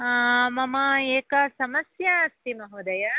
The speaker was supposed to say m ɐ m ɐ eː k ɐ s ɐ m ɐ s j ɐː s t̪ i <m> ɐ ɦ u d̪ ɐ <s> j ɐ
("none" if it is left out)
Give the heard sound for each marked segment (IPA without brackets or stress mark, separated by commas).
m, none